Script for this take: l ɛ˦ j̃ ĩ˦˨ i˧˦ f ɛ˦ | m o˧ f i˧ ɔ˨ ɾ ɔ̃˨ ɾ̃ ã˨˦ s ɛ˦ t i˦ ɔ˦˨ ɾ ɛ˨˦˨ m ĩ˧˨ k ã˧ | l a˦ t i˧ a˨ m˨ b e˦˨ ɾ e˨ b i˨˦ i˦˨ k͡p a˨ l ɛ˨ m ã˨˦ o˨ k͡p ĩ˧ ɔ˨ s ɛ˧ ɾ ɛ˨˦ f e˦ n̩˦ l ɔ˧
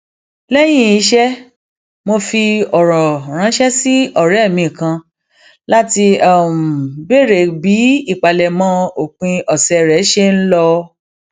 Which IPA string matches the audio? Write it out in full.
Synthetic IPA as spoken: l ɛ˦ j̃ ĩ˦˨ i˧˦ ʃ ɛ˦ | m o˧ f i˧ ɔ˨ ɾ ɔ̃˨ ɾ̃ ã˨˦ ʃ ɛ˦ s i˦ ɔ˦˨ ɾ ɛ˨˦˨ m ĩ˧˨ k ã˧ | l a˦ t i˧ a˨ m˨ b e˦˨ ɾ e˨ b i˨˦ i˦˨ k͡p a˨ l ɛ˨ m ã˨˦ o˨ k͡p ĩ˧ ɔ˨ s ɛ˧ ɾ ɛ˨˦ ʃ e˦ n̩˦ l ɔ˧

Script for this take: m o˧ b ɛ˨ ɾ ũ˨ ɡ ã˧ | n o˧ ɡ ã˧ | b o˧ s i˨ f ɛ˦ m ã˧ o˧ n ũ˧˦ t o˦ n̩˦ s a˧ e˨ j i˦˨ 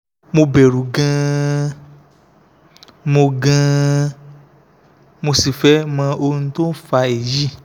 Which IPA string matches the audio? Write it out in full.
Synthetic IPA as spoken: m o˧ b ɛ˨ ɾ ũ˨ ɡ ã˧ | m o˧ ɡ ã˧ | m o˧ s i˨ f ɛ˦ m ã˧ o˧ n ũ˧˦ t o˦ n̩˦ f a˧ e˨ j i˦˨

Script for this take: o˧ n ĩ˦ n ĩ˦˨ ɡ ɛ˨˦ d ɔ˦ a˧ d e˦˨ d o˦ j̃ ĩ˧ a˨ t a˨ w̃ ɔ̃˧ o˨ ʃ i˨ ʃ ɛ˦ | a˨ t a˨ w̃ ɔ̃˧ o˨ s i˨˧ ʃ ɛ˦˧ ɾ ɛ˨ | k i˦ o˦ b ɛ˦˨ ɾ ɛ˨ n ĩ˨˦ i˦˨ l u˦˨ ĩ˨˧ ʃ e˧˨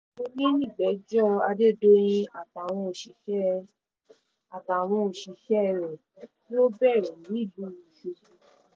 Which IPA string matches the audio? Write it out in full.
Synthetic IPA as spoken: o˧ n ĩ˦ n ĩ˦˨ ɡ͡b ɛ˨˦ d͡ʒ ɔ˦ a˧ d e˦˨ d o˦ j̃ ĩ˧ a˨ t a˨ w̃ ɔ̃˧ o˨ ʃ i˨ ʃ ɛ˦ | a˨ t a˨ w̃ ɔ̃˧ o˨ ʃ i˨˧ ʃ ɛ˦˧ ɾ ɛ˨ | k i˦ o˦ b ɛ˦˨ ɾ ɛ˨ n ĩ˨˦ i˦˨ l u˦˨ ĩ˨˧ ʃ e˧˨

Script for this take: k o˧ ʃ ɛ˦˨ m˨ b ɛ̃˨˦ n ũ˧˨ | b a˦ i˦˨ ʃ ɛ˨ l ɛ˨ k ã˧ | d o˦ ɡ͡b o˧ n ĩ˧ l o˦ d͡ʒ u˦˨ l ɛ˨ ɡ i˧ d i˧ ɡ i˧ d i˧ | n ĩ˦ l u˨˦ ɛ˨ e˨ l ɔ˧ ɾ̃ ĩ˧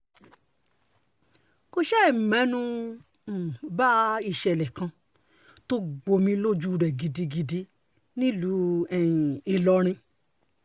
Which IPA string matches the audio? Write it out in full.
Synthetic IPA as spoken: k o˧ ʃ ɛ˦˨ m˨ m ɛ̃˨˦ n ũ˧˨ | b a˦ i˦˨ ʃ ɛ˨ l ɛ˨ k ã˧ | t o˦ ɡ͡b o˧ m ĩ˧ l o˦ d͡ʒ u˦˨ ɾ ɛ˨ ɡ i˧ d i˧ ɡ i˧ d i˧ | n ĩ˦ l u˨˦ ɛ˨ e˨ l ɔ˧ ɾ̃ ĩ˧

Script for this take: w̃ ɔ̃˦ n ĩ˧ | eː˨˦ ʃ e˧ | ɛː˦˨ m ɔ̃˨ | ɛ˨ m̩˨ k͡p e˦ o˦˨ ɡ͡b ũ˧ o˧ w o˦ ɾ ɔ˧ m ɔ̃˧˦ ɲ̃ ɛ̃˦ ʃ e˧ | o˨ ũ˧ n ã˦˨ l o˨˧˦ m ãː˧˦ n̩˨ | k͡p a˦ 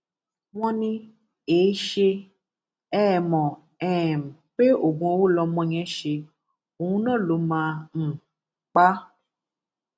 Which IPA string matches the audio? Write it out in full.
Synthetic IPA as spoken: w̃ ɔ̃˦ n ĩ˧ | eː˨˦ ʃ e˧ | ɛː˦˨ m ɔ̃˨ | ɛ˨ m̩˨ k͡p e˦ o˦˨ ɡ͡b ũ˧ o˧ w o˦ l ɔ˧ m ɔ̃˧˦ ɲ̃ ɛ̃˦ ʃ e˧ | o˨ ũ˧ n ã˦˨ l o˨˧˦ m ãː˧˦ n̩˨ | k͡p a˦

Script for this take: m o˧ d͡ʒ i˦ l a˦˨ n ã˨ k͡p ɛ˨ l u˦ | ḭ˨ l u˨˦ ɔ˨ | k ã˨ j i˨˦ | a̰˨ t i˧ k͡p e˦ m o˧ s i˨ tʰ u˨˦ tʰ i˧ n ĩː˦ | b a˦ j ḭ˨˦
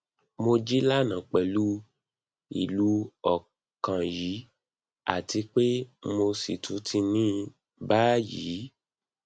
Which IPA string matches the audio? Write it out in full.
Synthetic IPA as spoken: m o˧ d͡ʒ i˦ l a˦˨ n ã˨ k͡p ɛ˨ l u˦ | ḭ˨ l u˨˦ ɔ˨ | k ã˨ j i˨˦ | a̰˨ t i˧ k͡p e˦ m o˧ s i˨ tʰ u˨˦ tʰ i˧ n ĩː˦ | b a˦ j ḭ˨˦

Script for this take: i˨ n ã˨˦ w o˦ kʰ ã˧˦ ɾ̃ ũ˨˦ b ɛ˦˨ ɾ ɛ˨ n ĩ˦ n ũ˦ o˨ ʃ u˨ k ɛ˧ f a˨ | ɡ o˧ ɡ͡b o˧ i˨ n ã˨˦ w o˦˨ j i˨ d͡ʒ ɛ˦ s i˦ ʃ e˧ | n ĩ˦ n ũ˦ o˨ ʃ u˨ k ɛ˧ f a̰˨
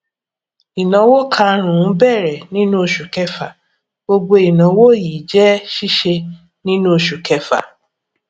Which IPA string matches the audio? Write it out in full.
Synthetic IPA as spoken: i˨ n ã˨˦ w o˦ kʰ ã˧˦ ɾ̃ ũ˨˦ b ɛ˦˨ ɾ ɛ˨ n ĩ˦ n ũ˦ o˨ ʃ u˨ k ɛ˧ f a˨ | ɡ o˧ ɡ͡b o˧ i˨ n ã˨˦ w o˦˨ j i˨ d͡ʒ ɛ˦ ʃ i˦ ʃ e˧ | n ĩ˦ n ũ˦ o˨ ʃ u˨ k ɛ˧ f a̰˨

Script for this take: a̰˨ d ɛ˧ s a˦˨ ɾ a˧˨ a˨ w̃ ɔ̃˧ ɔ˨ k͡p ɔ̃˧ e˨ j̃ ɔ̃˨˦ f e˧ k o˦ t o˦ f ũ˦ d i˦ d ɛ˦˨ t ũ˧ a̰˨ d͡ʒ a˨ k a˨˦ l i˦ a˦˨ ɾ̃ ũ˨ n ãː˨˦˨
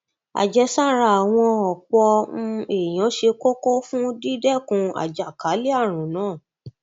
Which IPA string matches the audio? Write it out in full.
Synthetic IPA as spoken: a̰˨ d͡ʒ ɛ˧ s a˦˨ ɾ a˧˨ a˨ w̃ ɔ̃˧ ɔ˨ k͡p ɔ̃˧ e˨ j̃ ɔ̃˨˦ ʃ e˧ k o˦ k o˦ f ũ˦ d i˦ d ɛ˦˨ k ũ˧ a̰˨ d͡ʒ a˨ k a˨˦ l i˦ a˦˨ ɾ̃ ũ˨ n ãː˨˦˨

